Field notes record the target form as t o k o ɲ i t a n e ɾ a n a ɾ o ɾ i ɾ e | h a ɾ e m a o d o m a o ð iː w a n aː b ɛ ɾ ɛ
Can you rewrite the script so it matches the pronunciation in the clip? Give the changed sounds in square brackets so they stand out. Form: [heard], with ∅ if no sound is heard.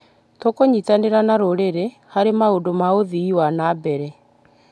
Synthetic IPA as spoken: t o k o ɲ i t a n e ɾ a n a ɾ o ɾ [e] ɾ e | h a ɾ e m a o d o m a o ð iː w a n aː b ɛ ɾ ɛ